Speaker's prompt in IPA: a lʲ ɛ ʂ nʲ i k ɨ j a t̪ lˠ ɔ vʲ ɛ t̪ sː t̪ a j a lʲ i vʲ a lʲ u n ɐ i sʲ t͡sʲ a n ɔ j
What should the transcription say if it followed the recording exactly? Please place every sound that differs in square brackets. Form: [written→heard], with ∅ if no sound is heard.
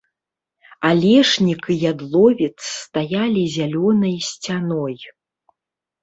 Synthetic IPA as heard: a lʲ ɛ ʂ nʲ i k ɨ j a [t̪→d̪] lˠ ɔ vʲ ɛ t̪ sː t̪ a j a lʲ i [vʲ→zʲ] a lʲ [u→ɔ] n ɐ [i→j] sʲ t͡sʲ a n ɔ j